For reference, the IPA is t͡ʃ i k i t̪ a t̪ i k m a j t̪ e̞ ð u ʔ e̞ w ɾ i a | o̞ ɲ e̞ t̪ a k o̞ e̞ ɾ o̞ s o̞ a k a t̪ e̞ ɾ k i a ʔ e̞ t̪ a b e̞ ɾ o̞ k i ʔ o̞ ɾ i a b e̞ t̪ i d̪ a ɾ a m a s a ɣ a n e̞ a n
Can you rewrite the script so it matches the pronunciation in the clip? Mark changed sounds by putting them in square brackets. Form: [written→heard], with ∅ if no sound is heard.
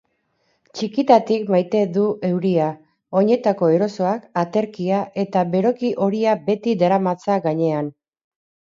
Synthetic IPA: t͡ʃ i k i t̪ a t̪ i k m a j t̪ e̞ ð u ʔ e̞ w ɾ i a | o̞ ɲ e̞ t̪ a k o̞ e̞ ɾ o̞ s o̞ a k a t̪ e̞ ɾ k i a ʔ e̞ t̪ a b e̞ ɾ o̞ k i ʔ o̞ ɾ i a b e̞ t̪ i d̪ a ɾ a m a [s→t͡s] a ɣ a [n→ɲ] e̞ a n